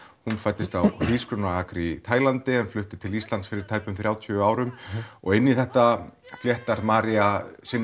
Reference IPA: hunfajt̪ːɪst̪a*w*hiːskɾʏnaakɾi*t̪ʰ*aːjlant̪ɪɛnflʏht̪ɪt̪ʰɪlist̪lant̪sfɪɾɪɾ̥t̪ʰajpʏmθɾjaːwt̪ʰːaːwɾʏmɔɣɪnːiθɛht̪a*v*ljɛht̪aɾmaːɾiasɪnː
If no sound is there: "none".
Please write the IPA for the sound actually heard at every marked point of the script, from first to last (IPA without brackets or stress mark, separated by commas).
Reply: w, t̪ʰ, f